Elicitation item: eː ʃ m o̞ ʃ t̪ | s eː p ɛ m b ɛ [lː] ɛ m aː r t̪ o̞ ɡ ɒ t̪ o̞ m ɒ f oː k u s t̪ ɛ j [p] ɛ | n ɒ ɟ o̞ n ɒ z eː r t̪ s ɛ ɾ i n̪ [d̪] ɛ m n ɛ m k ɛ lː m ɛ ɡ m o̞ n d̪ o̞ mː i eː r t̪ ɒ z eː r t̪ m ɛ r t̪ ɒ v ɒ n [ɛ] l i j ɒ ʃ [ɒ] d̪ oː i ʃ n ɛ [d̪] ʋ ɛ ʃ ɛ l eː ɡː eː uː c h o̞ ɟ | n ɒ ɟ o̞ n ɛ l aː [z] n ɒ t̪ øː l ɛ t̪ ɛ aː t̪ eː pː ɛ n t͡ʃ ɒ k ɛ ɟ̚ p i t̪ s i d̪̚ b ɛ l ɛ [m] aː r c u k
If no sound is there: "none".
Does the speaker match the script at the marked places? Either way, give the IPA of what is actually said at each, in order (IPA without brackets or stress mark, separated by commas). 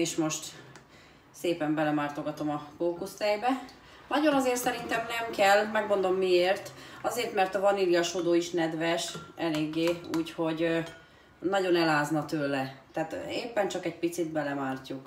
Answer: l, b, t̪, i, o, d̪, z, m